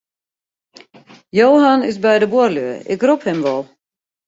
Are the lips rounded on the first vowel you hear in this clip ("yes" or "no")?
yes